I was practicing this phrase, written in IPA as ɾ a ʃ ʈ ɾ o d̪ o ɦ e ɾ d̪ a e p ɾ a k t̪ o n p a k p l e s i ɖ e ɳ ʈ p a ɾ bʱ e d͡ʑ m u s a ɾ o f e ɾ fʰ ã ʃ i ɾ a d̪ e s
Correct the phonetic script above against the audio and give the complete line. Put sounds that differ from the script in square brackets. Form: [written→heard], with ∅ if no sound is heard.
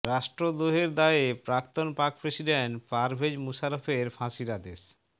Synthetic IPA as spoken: ɾ a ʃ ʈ ɾ o d̪ o ɦ e ɾ d̪ a e p ɾ a k t̪ o n p a k p [l→ɾ] e s i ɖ e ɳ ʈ p a ɾ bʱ e d͡ʑ m u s a ɾ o f e ɾ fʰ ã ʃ i ɾ a d̪ e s